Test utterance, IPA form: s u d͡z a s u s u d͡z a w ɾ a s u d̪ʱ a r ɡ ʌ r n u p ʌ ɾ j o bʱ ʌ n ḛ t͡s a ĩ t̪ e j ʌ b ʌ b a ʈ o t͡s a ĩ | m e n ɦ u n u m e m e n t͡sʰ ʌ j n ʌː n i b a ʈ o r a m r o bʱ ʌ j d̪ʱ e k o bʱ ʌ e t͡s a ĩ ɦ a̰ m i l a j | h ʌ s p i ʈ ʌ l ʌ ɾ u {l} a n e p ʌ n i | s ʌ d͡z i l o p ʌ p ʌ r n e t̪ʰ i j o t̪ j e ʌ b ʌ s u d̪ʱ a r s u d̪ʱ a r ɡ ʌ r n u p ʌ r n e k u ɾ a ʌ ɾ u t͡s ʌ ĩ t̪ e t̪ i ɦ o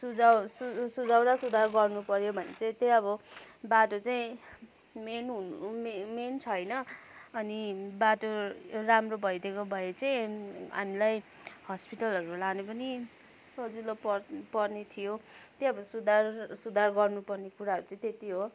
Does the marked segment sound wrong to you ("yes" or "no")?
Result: no